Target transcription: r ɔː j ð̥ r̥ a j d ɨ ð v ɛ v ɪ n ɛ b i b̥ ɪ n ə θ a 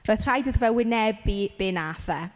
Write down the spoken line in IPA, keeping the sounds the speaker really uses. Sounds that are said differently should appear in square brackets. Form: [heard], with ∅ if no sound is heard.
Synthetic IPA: r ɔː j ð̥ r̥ a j d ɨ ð v ɛ [w] ɪ n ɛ b i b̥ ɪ n [a] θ [ɛ]